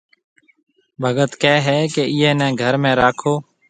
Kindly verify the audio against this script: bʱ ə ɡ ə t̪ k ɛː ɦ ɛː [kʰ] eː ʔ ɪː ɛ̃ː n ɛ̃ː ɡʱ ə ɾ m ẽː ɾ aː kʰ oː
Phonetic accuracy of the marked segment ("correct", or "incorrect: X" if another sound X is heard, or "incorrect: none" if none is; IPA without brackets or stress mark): incorrect: k